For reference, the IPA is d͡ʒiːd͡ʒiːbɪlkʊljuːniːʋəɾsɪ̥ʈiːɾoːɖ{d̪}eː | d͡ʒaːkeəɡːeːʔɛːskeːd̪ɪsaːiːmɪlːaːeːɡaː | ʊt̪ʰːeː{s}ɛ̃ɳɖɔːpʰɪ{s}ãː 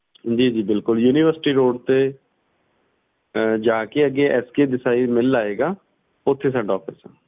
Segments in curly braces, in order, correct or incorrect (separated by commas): incorrect, correct, correct